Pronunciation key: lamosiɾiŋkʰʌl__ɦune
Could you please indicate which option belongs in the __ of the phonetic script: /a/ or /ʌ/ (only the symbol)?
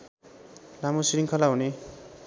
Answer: a